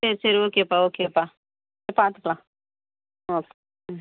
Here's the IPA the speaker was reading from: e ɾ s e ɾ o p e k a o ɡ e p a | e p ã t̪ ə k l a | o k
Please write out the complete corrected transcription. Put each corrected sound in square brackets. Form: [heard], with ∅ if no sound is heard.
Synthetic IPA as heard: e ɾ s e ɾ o [k] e [p] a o [k] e p a | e p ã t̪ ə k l a | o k